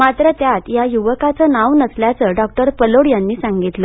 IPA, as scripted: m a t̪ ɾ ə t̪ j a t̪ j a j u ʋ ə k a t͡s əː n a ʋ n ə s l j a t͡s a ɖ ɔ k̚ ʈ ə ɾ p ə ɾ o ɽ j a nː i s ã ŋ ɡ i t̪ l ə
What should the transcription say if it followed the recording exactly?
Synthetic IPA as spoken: m a t̪ ɾ ə t̪ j a t̪ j a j u ʋ ə k a t͡s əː n a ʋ n ə s l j a t͡s ə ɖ ɔ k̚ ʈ ə ɾ p ə l o ɽ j a nː iː s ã ŋ ɡ i t̪ l ə